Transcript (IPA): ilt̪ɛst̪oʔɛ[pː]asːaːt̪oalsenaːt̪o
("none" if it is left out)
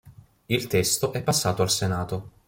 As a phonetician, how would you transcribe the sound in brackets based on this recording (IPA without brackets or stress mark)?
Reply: pː